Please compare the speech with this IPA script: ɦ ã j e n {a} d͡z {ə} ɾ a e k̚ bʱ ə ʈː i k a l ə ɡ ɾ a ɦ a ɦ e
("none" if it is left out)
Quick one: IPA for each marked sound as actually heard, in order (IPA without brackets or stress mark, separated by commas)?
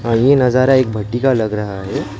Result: ə, a